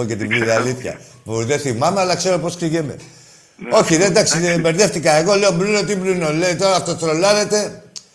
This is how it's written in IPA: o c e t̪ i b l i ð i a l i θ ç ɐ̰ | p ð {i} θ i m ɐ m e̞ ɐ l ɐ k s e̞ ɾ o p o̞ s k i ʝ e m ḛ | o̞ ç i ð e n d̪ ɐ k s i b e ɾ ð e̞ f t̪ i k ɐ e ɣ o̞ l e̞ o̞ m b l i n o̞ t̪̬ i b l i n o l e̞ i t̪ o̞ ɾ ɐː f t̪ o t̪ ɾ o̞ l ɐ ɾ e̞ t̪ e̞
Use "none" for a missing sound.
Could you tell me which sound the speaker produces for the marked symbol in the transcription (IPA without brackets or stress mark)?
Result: e